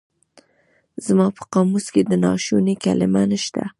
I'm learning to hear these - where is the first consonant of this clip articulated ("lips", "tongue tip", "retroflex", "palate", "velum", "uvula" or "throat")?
tongue tip